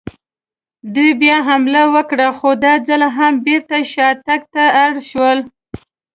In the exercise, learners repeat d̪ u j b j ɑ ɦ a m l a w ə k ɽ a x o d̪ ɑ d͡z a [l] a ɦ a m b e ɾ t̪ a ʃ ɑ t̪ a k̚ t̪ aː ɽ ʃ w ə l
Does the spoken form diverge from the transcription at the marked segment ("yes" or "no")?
no